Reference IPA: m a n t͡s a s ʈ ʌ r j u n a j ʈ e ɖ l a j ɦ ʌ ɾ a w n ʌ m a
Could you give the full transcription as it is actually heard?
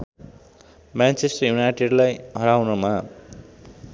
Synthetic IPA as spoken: m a n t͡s e s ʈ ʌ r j u n a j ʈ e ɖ l a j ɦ ʌ ɾ a w n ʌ m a